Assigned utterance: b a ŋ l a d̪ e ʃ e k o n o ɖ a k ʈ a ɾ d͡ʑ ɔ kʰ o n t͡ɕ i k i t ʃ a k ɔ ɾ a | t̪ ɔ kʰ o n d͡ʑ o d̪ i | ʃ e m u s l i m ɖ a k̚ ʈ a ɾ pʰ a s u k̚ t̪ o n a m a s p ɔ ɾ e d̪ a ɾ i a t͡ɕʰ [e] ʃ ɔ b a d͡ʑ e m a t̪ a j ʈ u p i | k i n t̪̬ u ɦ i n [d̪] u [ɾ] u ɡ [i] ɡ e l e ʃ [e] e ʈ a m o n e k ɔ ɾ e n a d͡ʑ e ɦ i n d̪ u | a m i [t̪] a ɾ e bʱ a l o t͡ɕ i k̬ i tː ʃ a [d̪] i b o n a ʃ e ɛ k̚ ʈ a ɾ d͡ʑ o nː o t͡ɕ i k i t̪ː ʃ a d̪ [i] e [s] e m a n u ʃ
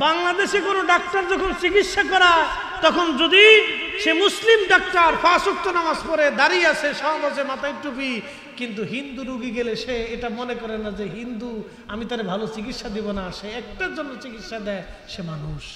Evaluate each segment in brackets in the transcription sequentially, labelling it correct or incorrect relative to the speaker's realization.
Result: correct, correct, correct, correct, correct, correct, correct, incorrect: ɛ, incorrect: ʃ

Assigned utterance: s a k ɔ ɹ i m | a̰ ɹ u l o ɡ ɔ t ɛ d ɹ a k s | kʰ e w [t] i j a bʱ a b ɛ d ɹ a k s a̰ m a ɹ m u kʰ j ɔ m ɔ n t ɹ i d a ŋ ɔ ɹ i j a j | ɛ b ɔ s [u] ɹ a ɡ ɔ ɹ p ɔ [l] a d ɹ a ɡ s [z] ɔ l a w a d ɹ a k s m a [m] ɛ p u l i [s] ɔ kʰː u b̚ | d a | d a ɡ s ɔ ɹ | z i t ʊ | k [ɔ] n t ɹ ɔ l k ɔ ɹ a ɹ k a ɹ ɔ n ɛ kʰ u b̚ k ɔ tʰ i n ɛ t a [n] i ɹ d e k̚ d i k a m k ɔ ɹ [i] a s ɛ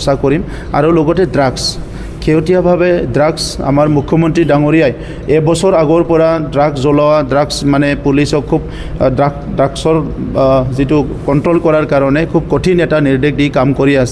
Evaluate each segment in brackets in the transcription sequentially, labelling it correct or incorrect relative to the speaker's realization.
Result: correct, incorrect: ɔ, incorrect: ɹ, correct, incorrect: n, correct, correct, correct, correct

